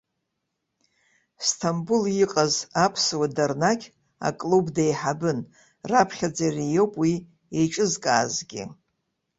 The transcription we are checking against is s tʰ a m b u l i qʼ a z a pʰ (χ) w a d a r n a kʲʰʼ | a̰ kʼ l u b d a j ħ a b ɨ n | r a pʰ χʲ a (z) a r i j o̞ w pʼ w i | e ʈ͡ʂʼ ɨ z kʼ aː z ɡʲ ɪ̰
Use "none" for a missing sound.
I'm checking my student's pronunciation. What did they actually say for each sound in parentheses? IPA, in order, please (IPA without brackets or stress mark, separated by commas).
s, d͡z